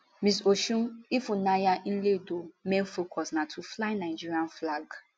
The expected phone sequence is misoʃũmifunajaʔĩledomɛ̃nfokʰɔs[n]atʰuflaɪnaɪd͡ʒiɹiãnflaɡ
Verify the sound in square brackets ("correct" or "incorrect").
correct